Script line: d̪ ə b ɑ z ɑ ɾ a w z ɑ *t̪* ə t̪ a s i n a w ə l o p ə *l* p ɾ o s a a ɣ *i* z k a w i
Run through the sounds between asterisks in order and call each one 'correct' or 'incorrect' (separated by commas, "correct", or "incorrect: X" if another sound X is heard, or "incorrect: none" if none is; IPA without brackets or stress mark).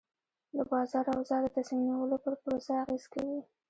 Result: incorrect: d̪, incorrect: ɾ, incorrect: e